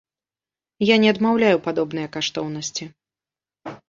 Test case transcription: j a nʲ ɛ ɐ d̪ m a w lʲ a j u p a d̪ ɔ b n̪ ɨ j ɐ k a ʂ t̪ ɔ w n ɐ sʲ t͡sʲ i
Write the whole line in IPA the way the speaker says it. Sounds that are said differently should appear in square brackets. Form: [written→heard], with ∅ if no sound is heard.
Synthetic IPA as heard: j a nʲ ɛ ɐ d̪ m a w lʲ a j u p a d̪ ɔ b n̪ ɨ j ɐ k a ʂ t̪ ɔ w n ɐ sʲ t͡sʲ i